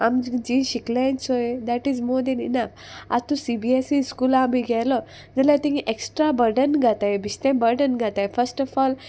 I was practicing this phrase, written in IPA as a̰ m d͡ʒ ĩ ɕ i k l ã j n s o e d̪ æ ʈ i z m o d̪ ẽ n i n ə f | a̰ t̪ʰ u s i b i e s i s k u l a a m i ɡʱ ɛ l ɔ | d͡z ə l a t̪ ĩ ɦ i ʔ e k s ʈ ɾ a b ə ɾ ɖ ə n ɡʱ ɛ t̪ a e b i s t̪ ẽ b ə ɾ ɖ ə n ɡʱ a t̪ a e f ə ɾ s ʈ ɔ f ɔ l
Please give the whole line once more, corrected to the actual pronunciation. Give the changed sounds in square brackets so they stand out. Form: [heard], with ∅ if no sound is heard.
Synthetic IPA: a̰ m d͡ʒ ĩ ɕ i k l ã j n s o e d̪ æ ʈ i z m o d̪ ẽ n i n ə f | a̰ [t̪] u s i b i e s i s k u l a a m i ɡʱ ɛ l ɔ | d͡z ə l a t̪ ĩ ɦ i ʔ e k s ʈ ɾ a b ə ɾ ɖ ə n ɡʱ [a] t̪ a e b i s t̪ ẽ b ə ɾ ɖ ə n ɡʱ a t̪ a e f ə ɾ s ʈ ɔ f ɔ l